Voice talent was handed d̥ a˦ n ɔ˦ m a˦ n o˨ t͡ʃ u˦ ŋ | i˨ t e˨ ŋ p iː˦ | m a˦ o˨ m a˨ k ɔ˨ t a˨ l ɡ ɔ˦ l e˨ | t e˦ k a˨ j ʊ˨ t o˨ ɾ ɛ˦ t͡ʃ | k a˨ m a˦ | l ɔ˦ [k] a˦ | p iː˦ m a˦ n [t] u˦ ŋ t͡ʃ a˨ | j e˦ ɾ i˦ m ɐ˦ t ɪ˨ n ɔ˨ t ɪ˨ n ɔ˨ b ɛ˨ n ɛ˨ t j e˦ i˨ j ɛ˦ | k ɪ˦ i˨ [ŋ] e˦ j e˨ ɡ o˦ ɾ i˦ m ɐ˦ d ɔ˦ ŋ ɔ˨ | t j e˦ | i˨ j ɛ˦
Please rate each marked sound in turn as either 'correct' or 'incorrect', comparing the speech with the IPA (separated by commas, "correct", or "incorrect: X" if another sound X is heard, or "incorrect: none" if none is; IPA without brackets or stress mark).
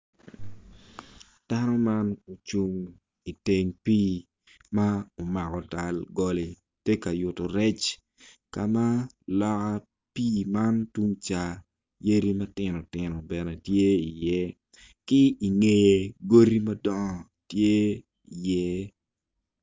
correct, correct, correct